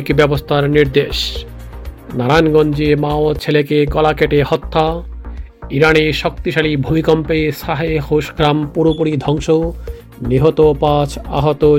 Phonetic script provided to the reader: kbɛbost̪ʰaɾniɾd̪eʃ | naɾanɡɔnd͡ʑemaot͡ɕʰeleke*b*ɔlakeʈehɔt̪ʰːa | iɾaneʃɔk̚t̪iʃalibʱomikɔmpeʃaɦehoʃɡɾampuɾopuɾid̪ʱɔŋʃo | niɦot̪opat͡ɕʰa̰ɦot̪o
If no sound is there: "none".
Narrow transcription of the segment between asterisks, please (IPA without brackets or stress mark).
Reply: ɡ